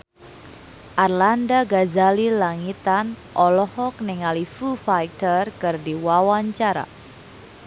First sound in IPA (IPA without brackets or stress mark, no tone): ʔ